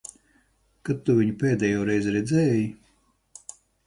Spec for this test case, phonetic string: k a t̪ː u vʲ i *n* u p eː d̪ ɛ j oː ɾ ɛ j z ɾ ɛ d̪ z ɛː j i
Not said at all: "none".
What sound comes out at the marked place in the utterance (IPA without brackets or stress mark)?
ɲ